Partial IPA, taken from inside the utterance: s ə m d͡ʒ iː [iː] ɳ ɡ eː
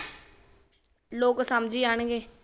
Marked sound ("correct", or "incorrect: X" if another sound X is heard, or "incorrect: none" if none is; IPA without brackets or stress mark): incorrect: aː